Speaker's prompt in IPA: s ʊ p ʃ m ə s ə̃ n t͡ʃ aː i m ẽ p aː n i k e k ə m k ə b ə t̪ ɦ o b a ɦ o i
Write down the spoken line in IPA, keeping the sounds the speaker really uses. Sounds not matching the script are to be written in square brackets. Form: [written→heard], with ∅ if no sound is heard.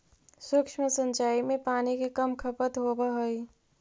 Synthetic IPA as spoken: s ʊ [p→k] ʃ m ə s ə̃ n t͡ʃ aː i m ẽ p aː n i k e k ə m [k→kʰ] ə [b→p] ə t̪ ɦ o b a ɦ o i